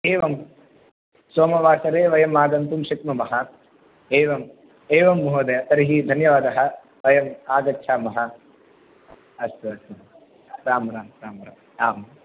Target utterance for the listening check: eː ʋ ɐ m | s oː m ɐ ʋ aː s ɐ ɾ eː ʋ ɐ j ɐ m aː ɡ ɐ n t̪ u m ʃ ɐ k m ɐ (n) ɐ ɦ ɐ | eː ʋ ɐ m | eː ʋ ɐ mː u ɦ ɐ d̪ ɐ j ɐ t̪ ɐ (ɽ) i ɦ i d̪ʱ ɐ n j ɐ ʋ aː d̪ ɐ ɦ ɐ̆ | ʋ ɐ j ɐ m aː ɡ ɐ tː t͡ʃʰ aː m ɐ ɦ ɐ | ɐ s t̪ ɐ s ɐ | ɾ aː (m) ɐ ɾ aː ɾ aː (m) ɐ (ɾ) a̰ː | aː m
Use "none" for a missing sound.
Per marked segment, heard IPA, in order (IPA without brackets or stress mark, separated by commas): m, ɾ, m, m, ɾ